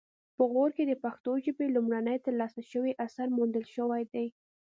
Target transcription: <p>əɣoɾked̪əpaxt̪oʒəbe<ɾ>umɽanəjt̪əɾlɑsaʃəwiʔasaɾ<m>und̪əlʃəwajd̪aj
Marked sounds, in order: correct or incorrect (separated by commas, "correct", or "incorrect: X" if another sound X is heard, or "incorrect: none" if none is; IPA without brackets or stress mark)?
correct, incorrect: l, correct